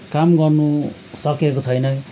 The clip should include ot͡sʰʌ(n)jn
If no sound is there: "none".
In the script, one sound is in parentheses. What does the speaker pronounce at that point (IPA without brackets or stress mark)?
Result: none